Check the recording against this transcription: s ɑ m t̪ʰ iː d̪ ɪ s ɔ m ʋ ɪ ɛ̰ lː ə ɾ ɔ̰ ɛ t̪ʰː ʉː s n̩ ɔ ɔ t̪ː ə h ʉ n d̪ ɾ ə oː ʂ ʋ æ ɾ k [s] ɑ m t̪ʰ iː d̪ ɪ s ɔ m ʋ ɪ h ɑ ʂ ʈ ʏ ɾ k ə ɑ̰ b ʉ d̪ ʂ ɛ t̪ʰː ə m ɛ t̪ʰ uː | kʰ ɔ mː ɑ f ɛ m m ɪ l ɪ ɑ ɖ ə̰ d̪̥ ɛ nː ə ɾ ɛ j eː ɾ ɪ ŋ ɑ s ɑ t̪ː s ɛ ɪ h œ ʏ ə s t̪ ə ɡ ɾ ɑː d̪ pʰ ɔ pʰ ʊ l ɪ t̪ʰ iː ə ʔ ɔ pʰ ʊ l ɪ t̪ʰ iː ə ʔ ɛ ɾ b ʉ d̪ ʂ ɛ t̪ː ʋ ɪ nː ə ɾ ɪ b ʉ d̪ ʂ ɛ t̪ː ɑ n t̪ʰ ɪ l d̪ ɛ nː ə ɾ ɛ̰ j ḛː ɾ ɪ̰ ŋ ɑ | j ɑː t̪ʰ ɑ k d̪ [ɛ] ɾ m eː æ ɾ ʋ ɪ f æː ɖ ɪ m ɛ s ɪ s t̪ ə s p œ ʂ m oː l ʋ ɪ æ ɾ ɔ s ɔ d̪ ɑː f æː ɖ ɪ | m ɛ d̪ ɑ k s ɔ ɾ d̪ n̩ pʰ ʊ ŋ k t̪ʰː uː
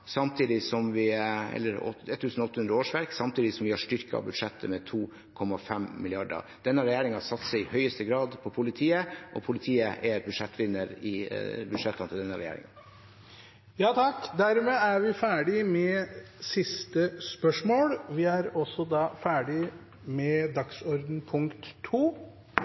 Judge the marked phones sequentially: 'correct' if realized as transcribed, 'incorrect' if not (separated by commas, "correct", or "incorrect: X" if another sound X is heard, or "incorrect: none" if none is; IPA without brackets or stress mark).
correct, incorrect: æ